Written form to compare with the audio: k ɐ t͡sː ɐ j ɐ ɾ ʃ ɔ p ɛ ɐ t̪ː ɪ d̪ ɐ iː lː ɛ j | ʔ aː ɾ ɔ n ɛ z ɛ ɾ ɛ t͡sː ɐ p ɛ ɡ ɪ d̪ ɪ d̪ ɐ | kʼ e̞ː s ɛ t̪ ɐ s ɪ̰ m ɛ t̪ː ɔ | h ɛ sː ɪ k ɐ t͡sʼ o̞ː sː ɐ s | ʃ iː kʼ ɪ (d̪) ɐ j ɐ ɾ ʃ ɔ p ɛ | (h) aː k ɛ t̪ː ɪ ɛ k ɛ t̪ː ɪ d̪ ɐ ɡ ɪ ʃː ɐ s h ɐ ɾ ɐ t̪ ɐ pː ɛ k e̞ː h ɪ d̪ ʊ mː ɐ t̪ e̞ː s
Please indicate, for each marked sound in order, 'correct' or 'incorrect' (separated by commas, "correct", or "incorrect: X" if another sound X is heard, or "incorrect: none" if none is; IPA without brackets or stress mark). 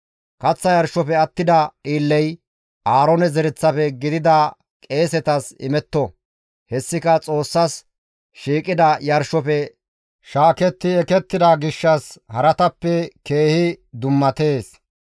correct, incorrect: ʃ